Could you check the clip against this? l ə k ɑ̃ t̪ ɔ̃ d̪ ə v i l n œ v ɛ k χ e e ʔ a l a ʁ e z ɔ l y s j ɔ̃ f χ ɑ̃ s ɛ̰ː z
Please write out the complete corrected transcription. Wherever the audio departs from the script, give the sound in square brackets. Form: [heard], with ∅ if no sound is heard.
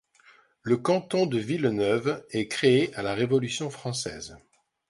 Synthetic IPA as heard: l ə k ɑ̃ t̪ ɔ̃ d̪ ə v i l n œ v ɛ k χ e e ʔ a l a ʁ e [v] ɔ l y s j ɔ̃ f χ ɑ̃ s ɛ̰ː z